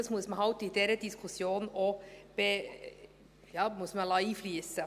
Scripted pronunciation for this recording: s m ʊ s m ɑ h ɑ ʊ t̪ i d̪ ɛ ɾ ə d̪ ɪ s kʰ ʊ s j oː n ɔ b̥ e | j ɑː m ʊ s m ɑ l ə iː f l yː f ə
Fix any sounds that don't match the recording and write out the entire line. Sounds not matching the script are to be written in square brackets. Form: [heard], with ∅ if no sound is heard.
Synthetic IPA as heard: s m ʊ s m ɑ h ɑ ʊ t̪ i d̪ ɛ ɾ ə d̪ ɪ s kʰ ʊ s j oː n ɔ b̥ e | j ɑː m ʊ s m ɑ l [ɑ] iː f l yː [s] ə